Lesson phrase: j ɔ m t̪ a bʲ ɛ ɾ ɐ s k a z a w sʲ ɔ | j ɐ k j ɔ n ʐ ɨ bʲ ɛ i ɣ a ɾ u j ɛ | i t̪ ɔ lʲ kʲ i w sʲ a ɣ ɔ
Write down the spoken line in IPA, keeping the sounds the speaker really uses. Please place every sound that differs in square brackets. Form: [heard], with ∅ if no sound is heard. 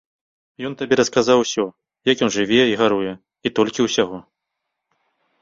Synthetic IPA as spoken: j ɔ [n] t̪ a bʲ ɛ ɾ ɐ s k a z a w sʲ ɔ | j ɐ k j ɔ n ʐ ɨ [vʲ] ɛ i ɣ a ɾ u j ɛ | i t̪ ɔ lʲ kʲ i w sʲ a ɣ ɔ